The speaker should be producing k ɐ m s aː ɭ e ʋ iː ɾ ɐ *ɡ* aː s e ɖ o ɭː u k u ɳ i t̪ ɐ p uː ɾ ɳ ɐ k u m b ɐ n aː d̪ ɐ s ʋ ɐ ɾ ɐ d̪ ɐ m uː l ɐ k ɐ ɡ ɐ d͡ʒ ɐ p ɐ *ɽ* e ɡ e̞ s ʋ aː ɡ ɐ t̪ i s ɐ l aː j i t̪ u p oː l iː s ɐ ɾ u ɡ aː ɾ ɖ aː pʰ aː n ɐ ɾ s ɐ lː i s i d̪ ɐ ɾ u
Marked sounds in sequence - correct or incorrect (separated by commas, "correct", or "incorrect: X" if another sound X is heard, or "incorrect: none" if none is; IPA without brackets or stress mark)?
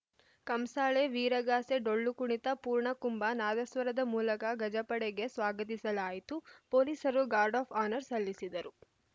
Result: correct, correct